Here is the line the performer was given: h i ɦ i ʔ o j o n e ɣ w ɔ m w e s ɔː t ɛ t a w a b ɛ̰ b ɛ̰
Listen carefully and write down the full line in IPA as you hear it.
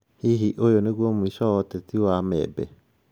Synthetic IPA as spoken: h i ɦ i ʔ o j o n e ɣ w ɔ m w i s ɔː t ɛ t i w a m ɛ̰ b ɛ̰